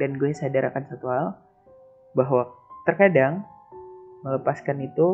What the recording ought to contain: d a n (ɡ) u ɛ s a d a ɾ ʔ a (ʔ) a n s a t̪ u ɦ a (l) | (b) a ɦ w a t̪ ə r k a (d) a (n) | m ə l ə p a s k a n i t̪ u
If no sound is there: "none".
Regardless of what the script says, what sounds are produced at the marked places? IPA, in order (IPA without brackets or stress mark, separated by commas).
ɡ, k, l, b, d, ŋ